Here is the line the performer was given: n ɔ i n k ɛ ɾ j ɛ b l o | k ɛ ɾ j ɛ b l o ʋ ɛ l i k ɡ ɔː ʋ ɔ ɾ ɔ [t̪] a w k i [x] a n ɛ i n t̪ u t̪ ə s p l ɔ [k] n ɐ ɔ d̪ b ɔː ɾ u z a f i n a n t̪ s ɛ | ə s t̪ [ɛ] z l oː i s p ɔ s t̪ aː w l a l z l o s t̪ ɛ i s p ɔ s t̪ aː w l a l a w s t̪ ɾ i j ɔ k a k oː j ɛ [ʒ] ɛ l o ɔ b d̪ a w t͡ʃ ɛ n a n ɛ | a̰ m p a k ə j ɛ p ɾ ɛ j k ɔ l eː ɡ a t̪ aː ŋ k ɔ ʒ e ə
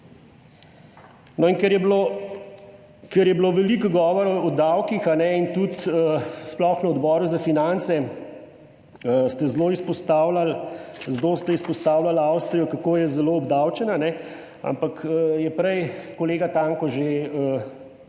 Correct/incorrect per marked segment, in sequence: incorrect: d̪, correct, incorrect: x, correct, incorrect: z

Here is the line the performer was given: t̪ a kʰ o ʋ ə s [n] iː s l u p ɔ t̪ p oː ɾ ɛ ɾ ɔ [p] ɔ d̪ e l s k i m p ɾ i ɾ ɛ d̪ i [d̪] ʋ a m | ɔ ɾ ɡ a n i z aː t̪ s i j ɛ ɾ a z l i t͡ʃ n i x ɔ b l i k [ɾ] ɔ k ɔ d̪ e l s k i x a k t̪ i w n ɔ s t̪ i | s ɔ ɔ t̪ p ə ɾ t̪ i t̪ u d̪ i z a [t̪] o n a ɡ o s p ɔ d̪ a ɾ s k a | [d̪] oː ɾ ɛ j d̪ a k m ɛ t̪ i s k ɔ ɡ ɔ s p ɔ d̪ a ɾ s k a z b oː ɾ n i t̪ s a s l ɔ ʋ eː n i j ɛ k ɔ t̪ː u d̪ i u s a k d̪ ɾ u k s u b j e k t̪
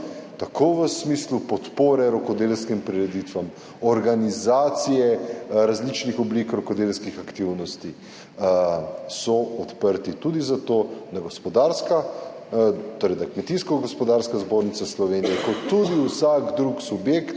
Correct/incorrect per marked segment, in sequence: incorrect: m, incorrect: k, incorrect: t̪, correct, correct, incorrect: t̪

